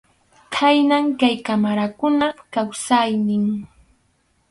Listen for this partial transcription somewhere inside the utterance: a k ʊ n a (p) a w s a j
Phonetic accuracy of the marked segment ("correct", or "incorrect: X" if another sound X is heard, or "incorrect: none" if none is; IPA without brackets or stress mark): incorrect: k